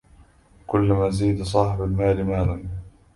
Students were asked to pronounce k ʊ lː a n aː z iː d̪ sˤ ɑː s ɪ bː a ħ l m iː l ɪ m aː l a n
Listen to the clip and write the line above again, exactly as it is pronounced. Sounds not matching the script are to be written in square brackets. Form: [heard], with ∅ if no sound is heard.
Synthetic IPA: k ʊ lː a [m] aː z iː d̪ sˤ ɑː [ħ] ɪ [b] a [∅] l m [aː] l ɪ m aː l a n